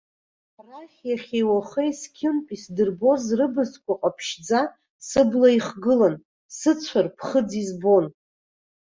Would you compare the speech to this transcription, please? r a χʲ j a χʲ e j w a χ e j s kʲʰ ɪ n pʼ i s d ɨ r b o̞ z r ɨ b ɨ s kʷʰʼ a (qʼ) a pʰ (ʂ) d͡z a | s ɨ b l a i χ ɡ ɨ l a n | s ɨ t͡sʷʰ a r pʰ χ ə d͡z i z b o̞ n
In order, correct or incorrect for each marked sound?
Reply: correct, incorrect

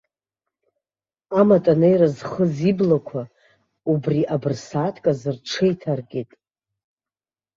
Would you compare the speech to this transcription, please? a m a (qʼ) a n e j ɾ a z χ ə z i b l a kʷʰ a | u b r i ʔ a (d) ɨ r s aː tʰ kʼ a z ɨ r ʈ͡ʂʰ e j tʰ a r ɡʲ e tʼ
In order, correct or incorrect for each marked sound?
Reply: incorrect, incorrect

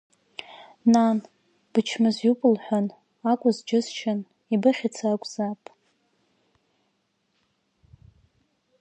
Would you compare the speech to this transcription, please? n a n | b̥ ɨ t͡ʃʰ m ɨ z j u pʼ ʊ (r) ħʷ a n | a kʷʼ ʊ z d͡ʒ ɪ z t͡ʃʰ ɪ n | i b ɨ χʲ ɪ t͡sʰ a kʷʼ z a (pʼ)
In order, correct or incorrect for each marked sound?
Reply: incorrect, correct

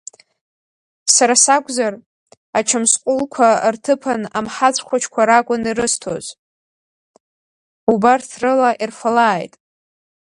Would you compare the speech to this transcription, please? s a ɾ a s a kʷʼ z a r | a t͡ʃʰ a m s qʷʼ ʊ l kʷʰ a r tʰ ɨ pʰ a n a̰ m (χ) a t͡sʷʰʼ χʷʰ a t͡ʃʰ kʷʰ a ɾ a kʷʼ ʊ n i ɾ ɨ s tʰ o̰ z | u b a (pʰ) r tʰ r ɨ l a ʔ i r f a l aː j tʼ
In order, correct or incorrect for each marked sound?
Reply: incorrect, incorrect

